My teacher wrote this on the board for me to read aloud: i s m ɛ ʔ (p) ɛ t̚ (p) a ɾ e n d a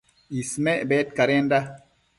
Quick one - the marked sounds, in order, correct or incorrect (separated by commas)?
incorrect, incorrect